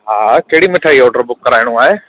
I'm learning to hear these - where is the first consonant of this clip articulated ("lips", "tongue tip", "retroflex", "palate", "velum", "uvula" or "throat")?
throat